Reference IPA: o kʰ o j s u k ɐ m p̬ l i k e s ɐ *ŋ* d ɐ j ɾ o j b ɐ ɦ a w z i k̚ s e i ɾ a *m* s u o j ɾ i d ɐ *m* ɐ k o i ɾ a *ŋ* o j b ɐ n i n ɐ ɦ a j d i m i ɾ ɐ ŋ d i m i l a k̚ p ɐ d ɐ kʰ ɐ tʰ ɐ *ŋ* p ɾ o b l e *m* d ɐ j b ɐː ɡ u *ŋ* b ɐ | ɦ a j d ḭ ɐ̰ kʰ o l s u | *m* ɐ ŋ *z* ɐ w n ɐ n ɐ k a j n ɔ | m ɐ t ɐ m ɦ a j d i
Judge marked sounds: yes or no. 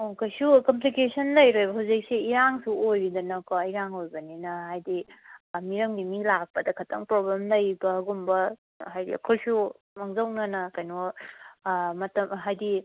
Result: no, no, no, yes, yes, yes, no, yes, yes

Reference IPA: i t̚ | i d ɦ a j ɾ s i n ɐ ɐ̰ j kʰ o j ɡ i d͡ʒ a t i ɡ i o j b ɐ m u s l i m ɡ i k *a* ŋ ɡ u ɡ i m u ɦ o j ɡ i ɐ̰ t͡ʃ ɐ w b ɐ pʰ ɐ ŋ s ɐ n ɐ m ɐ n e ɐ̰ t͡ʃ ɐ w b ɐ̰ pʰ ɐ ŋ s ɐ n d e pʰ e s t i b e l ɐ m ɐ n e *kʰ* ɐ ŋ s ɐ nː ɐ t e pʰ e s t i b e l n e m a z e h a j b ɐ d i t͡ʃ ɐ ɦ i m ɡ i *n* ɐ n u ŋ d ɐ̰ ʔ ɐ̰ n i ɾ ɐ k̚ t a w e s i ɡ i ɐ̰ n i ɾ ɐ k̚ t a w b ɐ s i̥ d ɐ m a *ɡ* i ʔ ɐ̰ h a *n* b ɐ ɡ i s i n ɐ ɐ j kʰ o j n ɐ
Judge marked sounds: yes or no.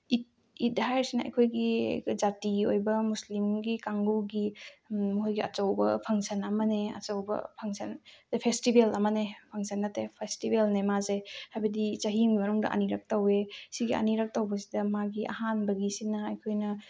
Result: yes, no, no, yes, yes

